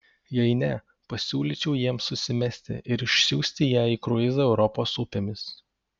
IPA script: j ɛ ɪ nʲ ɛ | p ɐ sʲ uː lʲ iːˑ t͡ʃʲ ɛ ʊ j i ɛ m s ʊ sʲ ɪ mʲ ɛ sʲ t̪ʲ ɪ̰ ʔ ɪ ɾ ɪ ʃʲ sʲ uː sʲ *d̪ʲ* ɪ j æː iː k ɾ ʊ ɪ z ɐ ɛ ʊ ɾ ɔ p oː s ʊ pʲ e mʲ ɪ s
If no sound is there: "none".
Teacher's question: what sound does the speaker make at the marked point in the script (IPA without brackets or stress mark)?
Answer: t̪ʲ